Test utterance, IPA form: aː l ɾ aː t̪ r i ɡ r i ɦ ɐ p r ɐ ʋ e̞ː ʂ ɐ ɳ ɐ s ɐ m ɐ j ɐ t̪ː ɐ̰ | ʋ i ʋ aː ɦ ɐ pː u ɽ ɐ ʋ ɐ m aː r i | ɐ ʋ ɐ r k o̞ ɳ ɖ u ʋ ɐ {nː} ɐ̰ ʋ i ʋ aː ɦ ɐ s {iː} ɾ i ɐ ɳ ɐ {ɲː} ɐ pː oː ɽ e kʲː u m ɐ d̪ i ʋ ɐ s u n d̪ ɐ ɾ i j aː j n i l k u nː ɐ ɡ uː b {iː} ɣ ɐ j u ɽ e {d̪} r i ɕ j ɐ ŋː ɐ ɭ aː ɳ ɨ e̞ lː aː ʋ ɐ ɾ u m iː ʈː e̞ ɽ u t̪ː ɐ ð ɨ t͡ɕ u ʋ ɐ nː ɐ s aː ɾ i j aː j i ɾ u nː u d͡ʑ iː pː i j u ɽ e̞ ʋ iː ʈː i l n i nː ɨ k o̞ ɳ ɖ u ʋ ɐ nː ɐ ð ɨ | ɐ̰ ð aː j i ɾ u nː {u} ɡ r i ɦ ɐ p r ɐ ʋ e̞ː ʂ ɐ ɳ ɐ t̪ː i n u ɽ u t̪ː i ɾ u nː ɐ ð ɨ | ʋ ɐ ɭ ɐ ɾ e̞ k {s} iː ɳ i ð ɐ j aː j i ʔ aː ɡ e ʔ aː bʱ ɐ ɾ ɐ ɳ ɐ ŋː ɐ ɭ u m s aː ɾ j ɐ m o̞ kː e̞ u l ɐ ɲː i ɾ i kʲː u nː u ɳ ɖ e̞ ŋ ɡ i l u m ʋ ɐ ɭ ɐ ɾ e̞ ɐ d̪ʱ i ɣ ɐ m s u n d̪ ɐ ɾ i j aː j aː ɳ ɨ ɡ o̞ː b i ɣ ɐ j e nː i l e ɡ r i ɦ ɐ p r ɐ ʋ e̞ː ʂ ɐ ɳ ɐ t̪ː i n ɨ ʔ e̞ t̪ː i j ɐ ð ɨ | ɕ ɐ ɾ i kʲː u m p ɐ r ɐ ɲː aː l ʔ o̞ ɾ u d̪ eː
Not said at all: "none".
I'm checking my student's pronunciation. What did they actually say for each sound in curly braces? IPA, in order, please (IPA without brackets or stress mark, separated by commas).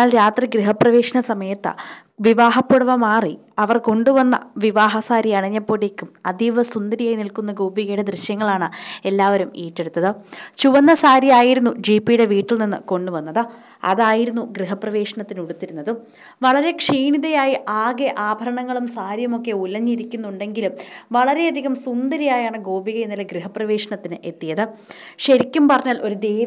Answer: nː, aː, ɲː, i, d̪, u, ʂ